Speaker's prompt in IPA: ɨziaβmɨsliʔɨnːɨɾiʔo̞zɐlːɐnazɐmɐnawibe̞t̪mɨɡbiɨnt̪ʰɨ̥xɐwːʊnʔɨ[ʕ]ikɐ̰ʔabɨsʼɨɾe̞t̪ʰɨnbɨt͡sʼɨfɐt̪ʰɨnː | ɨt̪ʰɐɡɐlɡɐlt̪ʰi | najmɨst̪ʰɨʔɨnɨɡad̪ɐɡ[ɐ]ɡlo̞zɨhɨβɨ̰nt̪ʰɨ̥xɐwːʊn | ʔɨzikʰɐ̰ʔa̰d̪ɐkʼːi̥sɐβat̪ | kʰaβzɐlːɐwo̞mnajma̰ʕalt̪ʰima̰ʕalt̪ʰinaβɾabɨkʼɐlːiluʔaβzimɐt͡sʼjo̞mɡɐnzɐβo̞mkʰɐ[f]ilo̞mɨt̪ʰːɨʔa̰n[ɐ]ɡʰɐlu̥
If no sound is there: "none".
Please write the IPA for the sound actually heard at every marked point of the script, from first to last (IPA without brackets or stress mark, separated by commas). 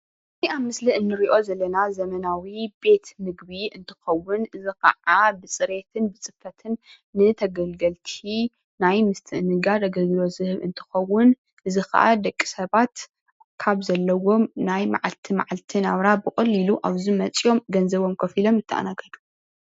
z, ɐ, f, a